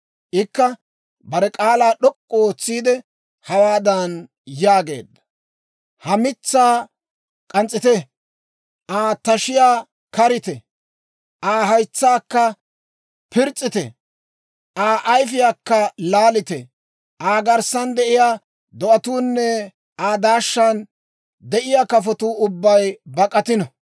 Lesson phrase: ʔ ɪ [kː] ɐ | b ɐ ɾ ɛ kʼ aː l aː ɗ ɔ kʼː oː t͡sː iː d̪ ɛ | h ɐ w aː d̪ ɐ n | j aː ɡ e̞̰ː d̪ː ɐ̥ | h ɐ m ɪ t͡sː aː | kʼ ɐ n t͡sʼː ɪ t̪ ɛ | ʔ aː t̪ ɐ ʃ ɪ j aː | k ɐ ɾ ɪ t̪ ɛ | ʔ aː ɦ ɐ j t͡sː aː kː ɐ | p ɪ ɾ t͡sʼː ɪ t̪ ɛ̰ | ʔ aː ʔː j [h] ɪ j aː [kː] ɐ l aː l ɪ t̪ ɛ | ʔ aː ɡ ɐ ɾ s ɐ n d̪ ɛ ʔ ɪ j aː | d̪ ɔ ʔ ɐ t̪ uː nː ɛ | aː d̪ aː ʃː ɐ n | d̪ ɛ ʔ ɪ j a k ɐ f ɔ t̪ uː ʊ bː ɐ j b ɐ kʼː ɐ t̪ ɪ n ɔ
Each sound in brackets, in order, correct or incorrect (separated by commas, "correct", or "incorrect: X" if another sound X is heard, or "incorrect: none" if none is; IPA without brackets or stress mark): correct, incorrect: f, correct